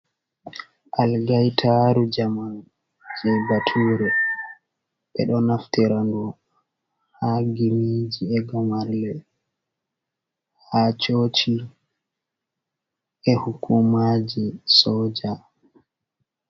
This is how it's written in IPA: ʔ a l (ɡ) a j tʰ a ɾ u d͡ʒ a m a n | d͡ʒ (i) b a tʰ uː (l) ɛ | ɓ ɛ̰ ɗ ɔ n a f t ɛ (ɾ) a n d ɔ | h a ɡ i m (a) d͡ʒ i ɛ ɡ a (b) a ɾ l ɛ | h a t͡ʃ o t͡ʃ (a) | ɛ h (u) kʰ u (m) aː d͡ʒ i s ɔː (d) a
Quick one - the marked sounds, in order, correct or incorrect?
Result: correct, incorrect, incorrect, correct, incorrect, incorrect, incorrect, correct, correct, incorrect

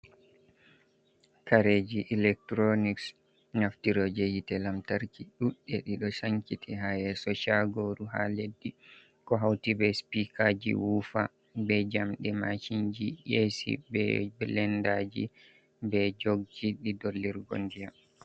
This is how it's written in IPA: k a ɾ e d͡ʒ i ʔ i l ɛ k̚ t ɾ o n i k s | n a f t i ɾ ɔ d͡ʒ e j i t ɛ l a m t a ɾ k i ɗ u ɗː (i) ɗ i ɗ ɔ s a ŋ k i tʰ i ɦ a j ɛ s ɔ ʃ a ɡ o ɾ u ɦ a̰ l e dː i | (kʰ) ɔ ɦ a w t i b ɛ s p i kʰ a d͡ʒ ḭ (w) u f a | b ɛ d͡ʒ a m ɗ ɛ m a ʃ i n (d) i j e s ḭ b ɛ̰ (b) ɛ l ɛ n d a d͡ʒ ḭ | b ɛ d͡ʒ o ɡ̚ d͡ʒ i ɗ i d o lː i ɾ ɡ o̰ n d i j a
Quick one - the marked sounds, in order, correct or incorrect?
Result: incorrect, incorrect, correct, incorrect, correct

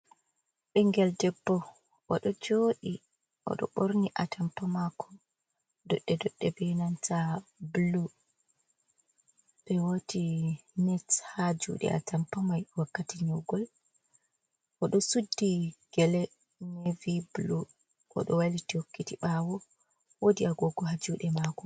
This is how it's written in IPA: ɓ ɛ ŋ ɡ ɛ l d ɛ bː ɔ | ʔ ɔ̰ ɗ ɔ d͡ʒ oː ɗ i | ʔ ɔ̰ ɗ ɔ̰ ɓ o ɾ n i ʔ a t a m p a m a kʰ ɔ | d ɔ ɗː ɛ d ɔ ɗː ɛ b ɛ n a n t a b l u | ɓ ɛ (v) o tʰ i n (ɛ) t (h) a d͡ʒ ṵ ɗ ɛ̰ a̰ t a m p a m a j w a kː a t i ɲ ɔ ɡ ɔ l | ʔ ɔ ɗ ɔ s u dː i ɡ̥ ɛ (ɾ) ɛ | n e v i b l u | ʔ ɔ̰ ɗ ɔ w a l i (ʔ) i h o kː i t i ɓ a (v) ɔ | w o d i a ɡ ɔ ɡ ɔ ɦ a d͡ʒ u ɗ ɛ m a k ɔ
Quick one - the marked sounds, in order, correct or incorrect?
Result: incorrect, correct, correct, incorrect, incorrect, incorrect

